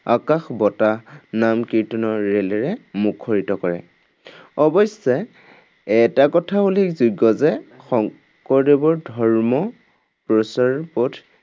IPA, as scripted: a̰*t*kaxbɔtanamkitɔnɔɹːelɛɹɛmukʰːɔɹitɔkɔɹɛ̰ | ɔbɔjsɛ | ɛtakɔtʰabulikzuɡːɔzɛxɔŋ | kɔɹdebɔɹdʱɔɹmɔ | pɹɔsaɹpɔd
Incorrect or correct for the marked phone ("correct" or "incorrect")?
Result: incorrect